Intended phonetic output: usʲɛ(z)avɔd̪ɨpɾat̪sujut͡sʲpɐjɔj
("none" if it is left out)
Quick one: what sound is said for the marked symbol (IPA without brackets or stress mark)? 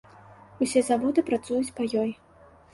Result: z